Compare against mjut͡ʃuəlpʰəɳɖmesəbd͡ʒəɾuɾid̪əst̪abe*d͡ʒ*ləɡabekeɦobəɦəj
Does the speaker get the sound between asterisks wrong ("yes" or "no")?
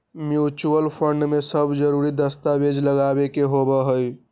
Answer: no